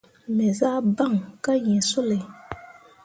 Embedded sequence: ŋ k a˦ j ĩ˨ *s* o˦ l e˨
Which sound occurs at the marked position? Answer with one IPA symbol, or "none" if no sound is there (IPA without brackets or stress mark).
s